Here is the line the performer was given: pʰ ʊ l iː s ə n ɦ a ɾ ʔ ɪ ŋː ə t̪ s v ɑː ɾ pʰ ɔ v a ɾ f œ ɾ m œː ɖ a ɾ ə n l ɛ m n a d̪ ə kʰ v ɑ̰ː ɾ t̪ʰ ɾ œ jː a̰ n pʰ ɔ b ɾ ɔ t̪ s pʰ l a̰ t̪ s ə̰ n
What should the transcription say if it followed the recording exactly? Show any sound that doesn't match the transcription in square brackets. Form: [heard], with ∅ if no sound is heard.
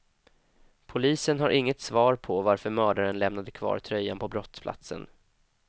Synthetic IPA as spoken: pʰ ʊ l iː s ə n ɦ a ɾ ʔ ɪ ŋː ə t̪ s v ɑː ɾ pʰ ɔ v a ɾ f œ ɾ m œː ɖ a ɾ ə n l ɛ m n a d̪ ə kʰ v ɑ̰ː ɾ t̪ʰ ɾ œ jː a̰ n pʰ ɔ b ɾ ɔ t̪ s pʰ l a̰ t̪ s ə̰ n